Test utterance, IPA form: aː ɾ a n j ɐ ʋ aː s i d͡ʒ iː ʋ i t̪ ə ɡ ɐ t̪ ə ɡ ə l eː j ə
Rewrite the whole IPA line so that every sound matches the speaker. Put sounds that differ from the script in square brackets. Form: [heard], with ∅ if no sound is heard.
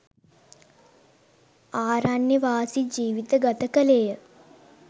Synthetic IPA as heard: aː ɾ a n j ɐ ʋ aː s i d͡ʒ iː ʋ i t̪ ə ɡ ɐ t̪ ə [k] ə l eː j ə